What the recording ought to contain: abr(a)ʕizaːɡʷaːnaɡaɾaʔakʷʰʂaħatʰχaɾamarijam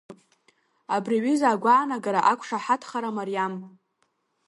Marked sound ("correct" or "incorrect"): incorrect